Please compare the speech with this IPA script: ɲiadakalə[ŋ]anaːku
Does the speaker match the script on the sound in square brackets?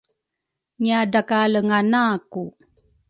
yes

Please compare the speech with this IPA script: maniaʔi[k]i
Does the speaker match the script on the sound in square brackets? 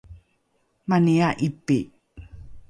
no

